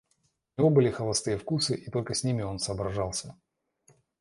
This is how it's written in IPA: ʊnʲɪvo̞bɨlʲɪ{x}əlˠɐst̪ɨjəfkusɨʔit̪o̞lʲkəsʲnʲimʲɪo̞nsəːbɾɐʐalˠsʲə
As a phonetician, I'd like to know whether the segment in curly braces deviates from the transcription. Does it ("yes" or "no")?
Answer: no